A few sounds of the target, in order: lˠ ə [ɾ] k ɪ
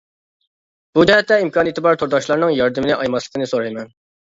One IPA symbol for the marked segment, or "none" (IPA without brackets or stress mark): none